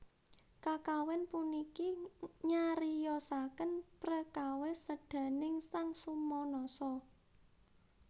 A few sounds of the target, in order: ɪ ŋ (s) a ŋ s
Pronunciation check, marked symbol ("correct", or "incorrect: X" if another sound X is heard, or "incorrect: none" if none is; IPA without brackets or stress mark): correct